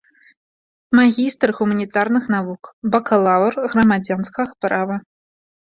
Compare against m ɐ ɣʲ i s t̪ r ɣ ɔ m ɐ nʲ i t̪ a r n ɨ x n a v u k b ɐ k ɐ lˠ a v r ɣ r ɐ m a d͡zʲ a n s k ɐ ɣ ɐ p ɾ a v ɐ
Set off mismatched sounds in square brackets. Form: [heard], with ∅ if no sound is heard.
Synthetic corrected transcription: m [a] ɣʲ i s t̪ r ɣ [u] m ɐ nʲ i t̪ a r n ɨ x n a v u k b ɐ k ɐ lˠ a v r ɣ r ɐ m a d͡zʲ a n s k ɐ ɣ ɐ p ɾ a v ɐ